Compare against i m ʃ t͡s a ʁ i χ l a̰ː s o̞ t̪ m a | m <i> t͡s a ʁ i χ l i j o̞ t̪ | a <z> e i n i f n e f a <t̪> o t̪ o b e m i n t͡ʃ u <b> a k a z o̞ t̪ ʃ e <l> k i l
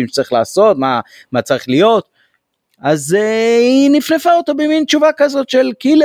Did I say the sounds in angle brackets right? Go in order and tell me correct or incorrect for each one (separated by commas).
incorrect, correct, incorrect, incorrect, correct